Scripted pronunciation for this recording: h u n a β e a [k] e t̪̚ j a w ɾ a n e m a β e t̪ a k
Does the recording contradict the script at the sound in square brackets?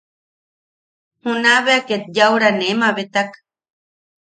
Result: no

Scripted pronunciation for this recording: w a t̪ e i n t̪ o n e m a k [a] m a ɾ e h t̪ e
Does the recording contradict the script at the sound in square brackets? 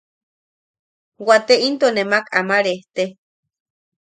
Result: no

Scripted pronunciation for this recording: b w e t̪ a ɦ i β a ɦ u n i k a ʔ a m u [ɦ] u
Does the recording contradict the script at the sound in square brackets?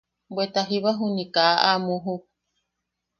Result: no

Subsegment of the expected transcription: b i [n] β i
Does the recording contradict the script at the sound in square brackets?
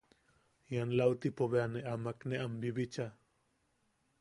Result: yes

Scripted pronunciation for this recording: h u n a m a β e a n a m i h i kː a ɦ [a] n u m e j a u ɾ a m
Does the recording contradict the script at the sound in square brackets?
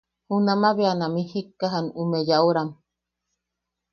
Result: no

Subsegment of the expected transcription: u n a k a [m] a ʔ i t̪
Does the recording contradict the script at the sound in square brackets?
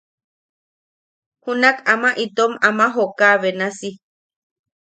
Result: no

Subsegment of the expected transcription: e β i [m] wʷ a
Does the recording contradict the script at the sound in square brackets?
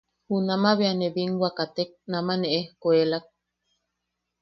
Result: yes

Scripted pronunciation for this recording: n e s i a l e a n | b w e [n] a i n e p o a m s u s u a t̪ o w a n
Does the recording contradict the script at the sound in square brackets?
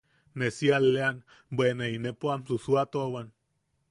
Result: no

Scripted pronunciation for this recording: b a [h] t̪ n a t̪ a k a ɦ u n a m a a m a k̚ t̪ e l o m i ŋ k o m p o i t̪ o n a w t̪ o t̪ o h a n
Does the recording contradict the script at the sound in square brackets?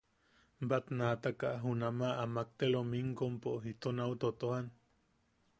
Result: yes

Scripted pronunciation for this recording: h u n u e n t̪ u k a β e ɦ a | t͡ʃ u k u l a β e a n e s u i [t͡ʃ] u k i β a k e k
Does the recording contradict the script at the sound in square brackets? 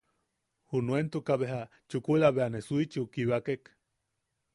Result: no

